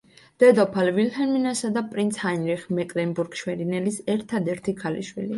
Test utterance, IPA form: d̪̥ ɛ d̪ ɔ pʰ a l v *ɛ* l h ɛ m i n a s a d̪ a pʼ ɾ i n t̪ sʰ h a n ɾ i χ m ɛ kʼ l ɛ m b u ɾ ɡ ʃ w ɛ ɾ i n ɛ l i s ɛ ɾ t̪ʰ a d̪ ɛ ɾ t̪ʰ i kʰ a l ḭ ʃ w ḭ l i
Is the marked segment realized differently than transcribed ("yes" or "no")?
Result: yes